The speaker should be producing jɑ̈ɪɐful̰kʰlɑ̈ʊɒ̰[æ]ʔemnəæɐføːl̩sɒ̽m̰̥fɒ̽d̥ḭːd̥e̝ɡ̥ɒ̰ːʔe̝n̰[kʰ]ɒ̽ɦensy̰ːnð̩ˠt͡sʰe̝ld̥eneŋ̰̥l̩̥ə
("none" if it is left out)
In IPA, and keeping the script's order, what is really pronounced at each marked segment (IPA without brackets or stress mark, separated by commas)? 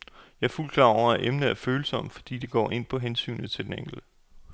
æ, pʰ